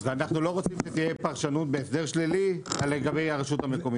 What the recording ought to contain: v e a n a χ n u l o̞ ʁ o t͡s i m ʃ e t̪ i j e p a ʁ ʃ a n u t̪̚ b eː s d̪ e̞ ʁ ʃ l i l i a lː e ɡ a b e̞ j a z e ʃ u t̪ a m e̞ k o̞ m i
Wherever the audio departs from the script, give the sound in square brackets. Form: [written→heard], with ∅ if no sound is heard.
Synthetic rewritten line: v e a n a χ n u l o̞ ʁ o t͡s i m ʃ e t̪ i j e p a ʁ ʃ a n u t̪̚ b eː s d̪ e̞ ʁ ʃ l i l i a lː e ɡ a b e̞ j a [z→ʁ] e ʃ u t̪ a m e̞ k o̞ m i